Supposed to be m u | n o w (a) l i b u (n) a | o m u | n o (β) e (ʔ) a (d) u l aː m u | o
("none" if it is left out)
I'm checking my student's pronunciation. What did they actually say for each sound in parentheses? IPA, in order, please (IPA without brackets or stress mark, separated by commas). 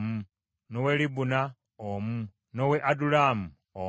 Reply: e, n, w, ʔ, d